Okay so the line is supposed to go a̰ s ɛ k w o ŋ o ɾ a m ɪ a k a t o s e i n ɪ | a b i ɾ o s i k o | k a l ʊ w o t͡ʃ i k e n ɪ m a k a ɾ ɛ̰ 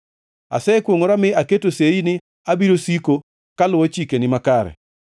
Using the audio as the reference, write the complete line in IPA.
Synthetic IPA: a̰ s ɛ k w o ŋ o ɾ a m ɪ a k e t o s e i n ɪ | a b i ɾ o s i k o | k a l ʊ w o t͡ʃ i k e n ɪ m a k a ɾ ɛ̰